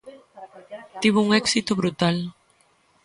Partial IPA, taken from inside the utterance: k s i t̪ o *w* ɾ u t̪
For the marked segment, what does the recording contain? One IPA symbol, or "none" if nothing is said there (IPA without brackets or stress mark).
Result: β